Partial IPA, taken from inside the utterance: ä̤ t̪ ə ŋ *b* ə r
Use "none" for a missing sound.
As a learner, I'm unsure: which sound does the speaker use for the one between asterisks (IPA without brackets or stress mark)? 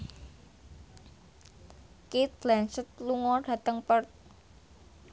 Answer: p